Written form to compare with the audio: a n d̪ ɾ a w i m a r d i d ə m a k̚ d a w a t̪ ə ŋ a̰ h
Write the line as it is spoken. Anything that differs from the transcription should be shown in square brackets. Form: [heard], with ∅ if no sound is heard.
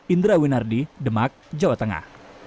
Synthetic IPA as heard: [i] n d̪ ɾ a w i [n] a r d i d ə m a k̚ [d͡ʒ] a w a t̪ ə ŋ a̰ h